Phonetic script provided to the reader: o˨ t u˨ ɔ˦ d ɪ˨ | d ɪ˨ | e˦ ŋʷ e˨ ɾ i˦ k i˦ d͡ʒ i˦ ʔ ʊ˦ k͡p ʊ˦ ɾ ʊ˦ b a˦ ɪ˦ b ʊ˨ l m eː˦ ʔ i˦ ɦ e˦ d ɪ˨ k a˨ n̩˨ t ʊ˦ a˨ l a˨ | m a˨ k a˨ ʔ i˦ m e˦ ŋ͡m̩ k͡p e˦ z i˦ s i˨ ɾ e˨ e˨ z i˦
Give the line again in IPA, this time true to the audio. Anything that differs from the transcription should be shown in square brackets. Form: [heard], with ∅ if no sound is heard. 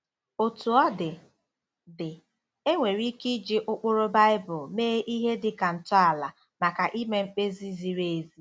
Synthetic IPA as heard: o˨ t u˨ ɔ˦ d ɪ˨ | d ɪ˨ | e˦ ŋʷ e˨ ɾ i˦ k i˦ d͡ʒ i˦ ʔ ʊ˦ k͡p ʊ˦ ɾ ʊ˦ b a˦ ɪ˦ b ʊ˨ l m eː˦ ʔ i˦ ɦ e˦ d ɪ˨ k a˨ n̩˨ t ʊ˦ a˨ l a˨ | m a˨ k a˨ ʔ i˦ m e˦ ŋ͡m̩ k͡p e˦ z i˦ [z] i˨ ɾ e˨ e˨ z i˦